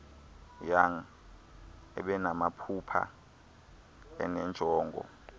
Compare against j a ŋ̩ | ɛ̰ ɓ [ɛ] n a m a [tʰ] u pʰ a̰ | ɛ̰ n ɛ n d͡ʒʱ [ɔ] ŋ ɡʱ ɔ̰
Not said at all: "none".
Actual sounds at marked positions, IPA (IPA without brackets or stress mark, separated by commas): ɛ, pʰ, ɔː